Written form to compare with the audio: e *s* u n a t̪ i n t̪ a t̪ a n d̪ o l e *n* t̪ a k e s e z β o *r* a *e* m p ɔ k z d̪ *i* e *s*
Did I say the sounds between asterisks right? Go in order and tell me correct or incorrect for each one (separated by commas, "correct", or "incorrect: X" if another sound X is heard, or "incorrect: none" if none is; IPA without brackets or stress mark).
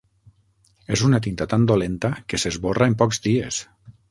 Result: incorrect: z, correct, correct, correct, correct, correct